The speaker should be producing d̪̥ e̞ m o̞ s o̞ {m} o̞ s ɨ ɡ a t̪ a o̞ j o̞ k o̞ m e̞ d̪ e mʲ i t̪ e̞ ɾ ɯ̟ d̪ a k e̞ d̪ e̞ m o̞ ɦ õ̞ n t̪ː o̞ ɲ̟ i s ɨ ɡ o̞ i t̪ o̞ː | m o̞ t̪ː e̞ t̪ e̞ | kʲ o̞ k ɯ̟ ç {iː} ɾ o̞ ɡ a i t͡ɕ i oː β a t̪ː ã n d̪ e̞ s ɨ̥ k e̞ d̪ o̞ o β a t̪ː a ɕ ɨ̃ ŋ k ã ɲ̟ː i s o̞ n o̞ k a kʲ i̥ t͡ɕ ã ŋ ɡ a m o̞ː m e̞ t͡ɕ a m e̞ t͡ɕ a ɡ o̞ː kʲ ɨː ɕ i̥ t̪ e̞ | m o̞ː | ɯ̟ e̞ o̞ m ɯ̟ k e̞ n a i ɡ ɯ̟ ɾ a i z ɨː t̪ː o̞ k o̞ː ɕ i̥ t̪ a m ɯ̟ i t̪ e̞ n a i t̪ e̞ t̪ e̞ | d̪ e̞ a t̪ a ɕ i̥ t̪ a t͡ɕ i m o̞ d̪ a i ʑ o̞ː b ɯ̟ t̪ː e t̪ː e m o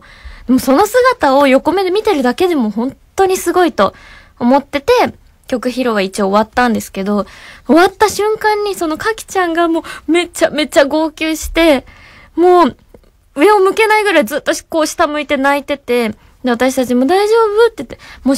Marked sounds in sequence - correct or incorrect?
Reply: incorrect, incorrect

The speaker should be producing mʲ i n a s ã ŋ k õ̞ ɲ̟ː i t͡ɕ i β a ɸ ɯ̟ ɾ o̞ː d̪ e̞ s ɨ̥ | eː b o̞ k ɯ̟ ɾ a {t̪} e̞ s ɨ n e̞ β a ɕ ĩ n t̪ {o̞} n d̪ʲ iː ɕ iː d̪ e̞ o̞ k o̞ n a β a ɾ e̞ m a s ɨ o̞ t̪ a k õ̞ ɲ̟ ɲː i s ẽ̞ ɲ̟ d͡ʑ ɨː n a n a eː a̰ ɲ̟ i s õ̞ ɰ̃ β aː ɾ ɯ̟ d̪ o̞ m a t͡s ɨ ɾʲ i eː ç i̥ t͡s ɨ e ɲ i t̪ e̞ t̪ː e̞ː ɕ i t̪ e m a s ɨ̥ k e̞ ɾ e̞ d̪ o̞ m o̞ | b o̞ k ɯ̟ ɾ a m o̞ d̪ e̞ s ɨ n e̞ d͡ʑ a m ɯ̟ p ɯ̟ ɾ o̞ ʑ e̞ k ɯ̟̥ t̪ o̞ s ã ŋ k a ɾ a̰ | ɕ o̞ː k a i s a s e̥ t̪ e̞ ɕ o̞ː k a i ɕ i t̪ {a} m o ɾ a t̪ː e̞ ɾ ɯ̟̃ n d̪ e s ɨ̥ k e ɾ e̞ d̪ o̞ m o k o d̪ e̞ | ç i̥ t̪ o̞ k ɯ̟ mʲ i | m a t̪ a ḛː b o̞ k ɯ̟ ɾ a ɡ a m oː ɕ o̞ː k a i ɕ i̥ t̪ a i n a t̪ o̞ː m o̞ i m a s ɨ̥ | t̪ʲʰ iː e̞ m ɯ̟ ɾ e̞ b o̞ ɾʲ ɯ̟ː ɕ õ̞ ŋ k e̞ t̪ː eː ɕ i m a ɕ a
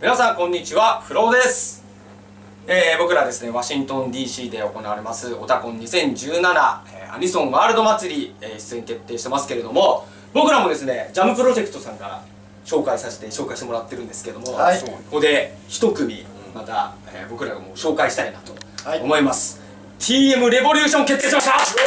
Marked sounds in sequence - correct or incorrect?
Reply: incorrect, incorrect, incorrect

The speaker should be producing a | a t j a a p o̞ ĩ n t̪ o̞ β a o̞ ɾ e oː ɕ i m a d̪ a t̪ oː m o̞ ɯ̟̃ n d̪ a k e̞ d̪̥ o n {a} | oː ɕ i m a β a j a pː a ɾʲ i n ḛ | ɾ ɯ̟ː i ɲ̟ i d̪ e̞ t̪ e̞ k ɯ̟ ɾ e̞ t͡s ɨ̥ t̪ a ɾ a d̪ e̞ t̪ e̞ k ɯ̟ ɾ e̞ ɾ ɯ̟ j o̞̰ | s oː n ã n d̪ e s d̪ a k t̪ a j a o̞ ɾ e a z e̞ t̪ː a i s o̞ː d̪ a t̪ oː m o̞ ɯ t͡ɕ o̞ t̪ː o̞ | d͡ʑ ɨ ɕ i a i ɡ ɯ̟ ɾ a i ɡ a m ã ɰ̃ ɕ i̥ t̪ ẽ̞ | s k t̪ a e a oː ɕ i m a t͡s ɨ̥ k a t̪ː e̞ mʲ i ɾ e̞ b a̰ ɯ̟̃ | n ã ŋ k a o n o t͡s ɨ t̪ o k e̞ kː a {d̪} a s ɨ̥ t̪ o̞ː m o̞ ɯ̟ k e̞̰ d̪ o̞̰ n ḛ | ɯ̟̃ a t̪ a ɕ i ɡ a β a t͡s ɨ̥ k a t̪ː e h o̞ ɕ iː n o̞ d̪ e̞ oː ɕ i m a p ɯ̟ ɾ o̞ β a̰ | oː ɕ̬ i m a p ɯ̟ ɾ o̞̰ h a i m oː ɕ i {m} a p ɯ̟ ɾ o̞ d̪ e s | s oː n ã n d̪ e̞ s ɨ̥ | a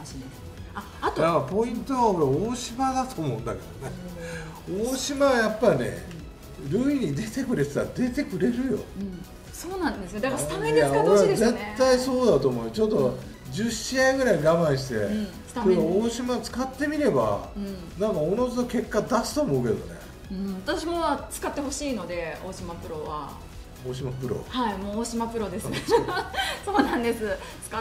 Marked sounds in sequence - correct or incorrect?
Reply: incorrect, correct, correct

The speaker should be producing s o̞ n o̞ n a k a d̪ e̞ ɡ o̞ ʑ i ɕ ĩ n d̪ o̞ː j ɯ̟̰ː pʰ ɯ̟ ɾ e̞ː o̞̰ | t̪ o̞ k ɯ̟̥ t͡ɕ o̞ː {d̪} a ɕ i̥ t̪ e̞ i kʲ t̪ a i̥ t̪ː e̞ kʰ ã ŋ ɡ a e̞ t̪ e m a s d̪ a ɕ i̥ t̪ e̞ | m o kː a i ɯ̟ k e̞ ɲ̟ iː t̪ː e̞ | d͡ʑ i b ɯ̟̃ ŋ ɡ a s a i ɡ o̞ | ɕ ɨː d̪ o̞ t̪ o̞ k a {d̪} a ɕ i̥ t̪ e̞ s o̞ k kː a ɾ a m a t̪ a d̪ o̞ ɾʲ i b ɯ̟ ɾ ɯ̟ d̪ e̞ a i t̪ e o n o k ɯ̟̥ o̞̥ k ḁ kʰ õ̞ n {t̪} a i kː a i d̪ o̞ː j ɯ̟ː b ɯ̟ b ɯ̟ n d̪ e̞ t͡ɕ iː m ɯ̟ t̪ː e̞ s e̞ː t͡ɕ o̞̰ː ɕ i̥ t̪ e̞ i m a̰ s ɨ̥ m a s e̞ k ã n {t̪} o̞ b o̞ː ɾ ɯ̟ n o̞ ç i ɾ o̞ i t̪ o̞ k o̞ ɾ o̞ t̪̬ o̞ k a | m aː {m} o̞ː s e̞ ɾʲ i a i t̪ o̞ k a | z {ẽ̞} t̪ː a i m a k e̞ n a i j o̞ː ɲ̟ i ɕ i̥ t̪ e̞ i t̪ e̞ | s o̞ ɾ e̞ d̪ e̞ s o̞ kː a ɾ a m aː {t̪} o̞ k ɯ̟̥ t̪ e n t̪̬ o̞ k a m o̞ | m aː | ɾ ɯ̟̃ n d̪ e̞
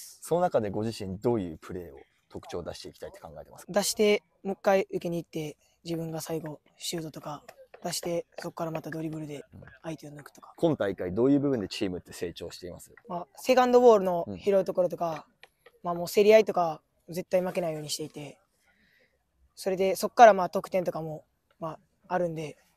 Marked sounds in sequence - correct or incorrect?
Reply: correct, correct, correct, incorrect, correct, incorrect, correct

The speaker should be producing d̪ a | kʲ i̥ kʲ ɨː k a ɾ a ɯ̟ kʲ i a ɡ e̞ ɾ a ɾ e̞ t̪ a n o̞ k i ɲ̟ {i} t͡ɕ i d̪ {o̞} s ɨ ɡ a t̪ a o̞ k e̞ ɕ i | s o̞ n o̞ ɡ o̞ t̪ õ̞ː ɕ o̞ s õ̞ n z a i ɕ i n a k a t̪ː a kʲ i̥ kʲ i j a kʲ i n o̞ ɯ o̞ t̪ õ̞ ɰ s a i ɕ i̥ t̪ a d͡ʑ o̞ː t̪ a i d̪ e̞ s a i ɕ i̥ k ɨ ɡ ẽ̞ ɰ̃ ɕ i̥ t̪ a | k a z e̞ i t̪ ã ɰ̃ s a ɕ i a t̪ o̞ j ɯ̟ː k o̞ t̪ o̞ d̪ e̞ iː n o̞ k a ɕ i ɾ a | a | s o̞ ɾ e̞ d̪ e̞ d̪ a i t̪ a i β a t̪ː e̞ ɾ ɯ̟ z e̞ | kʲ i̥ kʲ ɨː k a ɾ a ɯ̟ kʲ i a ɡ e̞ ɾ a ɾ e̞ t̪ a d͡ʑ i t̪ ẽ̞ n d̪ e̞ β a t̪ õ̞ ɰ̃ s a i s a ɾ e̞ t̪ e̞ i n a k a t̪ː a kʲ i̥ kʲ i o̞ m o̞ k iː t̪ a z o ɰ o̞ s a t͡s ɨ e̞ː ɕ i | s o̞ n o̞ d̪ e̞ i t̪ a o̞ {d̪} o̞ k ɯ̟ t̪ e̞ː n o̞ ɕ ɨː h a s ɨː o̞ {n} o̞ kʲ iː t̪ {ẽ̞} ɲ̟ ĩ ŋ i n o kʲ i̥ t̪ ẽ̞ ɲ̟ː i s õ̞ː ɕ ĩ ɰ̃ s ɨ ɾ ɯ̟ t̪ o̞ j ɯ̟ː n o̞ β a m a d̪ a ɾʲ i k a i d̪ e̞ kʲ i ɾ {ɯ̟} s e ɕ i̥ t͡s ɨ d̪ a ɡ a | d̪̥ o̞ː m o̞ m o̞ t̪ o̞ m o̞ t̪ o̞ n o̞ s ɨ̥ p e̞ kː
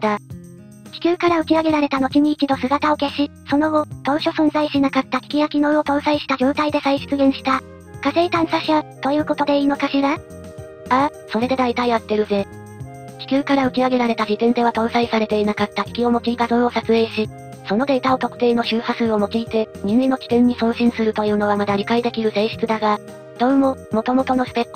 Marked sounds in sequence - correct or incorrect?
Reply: incorrect, correct, incorrect, incorrect, incorrect, correct

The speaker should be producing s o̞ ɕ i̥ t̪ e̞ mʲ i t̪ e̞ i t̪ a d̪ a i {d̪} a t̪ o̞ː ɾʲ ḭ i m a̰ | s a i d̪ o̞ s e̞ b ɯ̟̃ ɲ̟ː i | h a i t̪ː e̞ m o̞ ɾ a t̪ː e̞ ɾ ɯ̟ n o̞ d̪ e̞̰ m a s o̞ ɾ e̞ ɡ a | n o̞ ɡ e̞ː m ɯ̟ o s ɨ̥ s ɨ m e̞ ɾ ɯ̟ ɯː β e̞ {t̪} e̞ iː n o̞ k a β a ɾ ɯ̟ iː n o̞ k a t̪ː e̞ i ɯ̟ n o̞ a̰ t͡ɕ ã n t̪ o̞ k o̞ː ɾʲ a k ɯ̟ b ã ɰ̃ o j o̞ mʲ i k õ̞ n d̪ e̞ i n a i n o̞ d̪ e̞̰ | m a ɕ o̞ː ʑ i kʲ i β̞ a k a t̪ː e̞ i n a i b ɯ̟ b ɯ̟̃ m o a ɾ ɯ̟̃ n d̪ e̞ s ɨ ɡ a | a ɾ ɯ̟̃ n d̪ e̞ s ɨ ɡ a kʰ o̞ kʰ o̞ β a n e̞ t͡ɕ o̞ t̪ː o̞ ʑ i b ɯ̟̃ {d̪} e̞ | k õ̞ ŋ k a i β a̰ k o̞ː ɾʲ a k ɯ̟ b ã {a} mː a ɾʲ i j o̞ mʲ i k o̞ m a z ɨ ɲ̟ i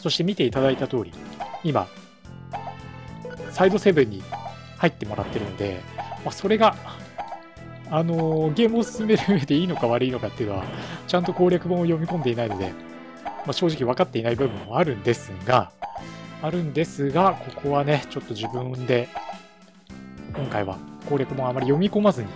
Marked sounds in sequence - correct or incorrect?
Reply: incorrect, incorrect, correct, correct

